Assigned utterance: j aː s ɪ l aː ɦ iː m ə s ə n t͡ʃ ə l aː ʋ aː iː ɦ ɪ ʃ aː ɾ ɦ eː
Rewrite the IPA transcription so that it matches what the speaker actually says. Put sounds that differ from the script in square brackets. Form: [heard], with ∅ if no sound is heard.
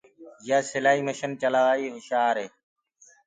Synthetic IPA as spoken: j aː s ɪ l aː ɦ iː m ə [ʃ] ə n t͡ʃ ə l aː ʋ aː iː ɦ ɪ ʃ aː ɾ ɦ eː